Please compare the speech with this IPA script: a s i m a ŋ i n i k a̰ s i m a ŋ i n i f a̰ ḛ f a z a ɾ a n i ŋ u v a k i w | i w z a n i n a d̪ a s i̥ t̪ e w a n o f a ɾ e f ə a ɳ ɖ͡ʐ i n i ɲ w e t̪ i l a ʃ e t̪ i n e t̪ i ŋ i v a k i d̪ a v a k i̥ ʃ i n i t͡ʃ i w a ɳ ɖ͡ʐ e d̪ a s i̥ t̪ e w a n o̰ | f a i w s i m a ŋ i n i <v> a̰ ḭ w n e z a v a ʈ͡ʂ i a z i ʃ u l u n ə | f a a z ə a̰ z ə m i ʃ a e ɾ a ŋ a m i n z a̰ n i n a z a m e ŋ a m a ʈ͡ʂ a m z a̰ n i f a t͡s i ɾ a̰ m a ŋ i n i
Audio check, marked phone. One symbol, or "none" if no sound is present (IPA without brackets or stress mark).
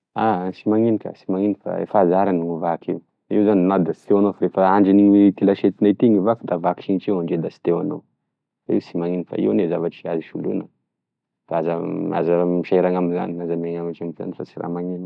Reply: f